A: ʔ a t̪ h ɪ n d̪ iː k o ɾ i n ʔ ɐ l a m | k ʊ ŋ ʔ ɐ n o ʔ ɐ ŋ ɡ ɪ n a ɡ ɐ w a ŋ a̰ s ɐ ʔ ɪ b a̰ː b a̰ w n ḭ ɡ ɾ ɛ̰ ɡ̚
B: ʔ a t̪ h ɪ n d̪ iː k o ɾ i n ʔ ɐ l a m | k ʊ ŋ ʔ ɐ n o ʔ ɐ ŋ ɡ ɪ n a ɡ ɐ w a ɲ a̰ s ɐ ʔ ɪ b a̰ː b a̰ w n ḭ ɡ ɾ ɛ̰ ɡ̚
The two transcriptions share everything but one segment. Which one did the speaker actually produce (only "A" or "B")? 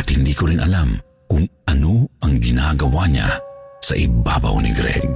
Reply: B